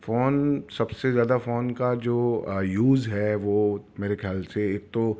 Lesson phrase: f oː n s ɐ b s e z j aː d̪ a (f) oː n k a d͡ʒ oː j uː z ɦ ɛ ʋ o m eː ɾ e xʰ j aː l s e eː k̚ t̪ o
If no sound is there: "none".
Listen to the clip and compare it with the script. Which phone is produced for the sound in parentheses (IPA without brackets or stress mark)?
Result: f